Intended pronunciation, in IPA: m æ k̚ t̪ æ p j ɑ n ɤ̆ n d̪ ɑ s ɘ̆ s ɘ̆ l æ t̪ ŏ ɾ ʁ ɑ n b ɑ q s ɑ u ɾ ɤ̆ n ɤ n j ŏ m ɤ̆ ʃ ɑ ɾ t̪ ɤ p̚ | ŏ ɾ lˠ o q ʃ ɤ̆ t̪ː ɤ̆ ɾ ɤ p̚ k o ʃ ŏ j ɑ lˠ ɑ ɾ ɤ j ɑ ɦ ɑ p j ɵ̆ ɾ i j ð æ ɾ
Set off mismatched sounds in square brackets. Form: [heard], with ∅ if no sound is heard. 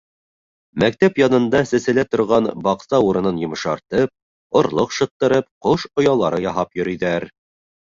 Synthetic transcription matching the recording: m æ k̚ t̪ æ p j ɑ n ɤ̆ n d̪ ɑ s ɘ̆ s ɘ̆ l æ t̪ ŏ ɾ ʁ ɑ n b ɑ q s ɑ u ɾ ɤ̆ n ɤ n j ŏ m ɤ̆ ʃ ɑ ɾ t̪ ɤ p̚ | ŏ ɾ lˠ o q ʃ ɤ̆ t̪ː ɤ̆ ɾ ɤ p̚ [q] o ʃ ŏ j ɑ lˠ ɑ ɾ ɤ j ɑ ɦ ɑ p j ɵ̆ ɾ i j ð æ ɾ